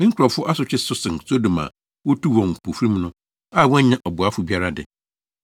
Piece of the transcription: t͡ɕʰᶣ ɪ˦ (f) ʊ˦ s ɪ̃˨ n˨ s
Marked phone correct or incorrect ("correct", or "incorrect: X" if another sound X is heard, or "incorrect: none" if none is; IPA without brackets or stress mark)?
incorrect: s